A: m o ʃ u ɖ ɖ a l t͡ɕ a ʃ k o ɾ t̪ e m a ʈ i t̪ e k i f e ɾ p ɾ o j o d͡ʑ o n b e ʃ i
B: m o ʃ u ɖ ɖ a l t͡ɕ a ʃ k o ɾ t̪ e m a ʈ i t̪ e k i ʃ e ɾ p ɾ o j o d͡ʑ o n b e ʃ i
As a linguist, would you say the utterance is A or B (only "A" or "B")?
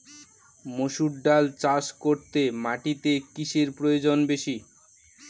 B